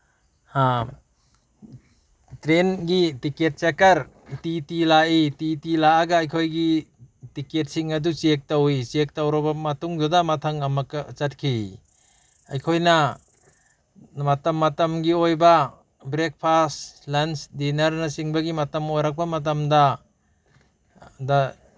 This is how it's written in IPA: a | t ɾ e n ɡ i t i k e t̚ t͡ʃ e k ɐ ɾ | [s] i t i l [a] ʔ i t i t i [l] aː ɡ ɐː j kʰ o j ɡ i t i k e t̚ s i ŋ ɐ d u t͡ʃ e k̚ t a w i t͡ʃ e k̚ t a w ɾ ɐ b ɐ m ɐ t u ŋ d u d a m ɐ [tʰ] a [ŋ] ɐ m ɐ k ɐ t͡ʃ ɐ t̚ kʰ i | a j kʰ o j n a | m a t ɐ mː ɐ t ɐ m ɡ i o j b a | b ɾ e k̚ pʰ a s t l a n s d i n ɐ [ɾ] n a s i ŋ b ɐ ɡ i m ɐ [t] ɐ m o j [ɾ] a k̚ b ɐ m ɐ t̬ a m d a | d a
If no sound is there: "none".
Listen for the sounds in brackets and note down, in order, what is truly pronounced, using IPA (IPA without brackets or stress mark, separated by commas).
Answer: t, a, l, tʰ, ŋ, ɾ, t, ɾ